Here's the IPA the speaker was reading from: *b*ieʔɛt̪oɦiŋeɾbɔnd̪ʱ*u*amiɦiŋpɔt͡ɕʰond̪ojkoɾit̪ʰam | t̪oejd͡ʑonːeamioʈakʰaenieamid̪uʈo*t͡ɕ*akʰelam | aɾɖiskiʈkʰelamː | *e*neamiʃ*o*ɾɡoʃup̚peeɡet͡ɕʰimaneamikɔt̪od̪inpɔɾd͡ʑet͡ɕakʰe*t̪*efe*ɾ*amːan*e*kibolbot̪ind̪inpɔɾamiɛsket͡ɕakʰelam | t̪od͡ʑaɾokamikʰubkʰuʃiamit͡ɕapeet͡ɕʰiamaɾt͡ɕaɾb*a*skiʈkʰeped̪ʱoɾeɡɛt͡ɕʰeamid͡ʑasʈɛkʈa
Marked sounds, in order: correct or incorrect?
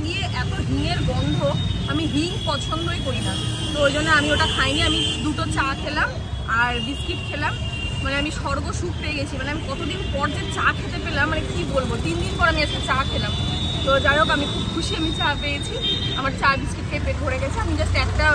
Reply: incorrect, incorrect, correct, incorrect, incorrect, correct, incorrect, correct, incorrect

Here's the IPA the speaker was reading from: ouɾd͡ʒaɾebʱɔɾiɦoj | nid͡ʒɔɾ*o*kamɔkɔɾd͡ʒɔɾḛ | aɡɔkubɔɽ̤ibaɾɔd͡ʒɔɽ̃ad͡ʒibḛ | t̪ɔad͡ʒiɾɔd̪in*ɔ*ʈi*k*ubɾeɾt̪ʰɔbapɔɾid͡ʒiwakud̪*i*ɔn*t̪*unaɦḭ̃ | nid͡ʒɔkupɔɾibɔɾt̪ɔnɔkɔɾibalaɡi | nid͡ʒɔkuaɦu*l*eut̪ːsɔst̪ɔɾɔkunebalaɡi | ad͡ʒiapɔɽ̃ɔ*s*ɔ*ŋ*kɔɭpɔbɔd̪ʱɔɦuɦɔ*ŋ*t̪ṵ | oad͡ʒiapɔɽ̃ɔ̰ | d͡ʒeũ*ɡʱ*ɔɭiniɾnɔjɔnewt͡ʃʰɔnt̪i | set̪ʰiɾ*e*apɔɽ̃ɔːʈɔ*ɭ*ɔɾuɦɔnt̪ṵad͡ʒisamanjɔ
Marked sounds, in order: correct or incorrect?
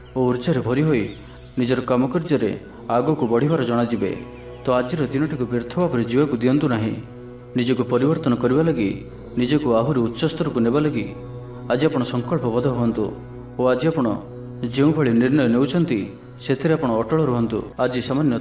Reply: incorrect, correct, correct, correct, correct, incorrect, correct, correct, incorrect, incorrect, correct, correct

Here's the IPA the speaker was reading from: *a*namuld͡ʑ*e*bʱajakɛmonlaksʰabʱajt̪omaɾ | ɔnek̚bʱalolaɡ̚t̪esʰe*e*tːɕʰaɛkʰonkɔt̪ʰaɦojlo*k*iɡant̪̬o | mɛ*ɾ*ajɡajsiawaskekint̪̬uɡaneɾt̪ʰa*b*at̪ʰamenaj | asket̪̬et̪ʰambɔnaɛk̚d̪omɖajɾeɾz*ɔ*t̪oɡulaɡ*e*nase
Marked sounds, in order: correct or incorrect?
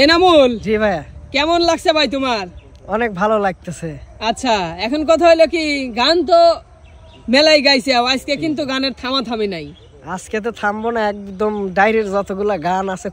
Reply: incorrect, incorrect, incorrect, correct, incorrect, incorrect, correct, incorrect

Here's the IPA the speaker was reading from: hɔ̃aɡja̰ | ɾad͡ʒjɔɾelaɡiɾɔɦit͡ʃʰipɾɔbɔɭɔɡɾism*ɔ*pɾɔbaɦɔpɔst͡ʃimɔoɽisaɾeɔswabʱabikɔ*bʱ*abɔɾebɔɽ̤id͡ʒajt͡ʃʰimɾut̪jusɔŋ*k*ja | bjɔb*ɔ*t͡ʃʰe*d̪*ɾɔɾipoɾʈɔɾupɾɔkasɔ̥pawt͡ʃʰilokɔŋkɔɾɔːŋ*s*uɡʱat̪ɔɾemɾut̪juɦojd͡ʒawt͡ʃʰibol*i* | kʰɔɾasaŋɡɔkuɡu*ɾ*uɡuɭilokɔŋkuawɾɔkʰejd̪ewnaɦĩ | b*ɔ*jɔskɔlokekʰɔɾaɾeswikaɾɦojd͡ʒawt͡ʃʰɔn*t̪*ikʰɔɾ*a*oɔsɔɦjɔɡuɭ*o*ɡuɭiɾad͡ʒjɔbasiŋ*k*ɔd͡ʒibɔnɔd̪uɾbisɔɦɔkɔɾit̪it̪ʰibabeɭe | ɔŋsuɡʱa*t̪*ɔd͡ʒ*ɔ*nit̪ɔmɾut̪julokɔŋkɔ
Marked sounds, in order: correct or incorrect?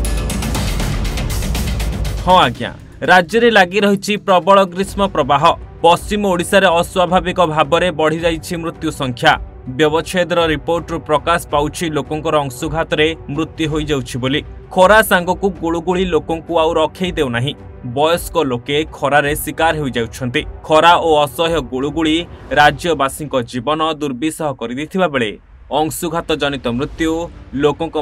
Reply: correct, correct, incorrect, correct, correct, correct, correct, incorrect, correct, correct, correct, incorrect, correct, correct, correct

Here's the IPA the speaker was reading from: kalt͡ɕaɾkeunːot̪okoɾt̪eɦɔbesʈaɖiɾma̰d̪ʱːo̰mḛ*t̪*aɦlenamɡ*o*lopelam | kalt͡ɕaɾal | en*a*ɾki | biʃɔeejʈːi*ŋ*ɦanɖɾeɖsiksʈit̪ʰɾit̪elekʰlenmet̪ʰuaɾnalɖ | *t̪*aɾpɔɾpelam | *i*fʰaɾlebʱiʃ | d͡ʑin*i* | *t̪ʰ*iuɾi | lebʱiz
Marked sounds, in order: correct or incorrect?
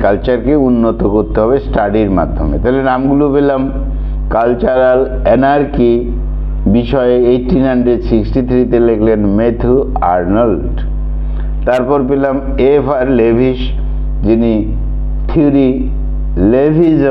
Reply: correct, incorrect, correct, incorrect, correct, incorrect, correct, correct

